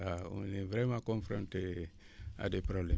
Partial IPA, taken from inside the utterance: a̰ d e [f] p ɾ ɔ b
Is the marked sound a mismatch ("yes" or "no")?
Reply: yes